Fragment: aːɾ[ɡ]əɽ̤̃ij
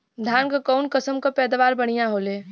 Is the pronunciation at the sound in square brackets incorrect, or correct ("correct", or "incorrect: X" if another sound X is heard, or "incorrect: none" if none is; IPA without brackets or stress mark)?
incorrect: b